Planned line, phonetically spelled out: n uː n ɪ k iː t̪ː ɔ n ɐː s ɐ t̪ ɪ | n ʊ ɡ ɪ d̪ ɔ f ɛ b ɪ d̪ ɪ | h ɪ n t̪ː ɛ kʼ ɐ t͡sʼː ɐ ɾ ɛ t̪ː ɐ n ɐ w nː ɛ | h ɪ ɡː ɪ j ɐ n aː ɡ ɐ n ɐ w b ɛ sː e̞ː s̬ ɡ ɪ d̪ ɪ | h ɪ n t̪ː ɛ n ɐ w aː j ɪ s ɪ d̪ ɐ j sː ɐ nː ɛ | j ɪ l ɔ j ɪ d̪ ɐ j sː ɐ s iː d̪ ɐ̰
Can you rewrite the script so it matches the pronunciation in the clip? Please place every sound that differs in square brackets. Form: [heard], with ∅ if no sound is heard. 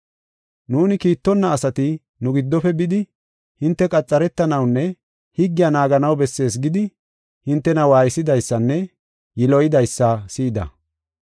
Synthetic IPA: n uː n ɪ k iː t̪ː ɔ [nː] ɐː s ɐ t̪ ɪ | n ʊ ɡ ɪ [d̪ː] ɔ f ɛ b ɪ d̪ ɪ | h ɪ n t̪ː ɛ kʼ ɐ t͡sʼː ɐ ɾ ɛ t̪ː ɐ n ɐ w nː ɛ | h ɪ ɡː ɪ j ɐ n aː ɡ ɐ n ɐ w b ɛ sː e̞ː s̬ ɡ ɪ d̪ ɪ | h ɪ n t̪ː ɛ n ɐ w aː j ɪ s ɪ d̪ ɐ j sː ɐ nː ɛ | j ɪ l ɔ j ɪ d̪ ɐ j sː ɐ s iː d̪ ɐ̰